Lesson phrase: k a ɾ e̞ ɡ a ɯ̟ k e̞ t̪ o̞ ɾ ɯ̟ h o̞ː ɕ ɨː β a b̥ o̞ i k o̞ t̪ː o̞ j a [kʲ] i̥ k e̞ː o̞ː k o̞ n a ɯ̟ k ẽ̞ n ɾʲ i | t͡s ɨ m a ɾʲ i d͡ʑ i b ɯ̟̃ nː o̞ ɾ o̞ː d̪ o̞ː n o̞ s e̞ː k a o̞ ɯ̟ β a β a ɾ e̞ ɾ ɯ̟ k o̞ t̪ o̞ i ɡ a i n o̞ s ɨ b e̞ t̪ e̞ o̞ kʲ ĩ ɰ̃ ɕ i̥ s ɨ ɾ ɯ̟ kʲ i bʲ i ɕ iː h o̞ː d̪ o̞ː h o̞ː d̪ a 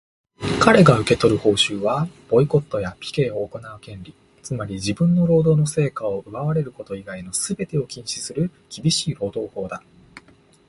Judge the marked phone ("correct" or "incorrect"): incorrect